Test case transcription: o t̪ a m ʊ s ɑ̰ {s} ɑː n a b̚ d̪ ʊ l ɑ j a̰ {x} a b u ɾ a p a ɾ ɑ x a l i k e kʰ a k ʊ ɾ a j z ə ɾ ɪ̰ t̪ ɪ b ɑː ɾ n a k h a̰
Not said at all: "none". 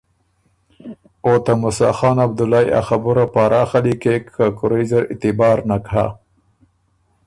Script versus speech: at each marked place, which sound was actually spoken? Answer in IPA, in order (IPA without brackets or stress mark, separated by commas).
x, x